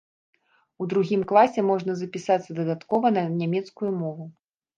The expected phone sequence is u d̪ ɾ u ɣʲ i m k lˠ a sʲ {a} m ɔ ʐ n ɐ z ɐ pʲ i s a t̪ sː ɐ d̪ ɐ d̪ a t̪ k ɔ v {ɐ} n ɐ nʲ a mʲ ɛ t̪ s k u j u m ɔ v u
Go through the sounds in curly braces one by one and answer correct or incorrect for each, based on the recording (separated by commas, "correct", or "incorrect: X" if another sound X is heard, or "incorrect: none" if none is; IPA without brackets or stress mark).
incorrect: ɛ, correct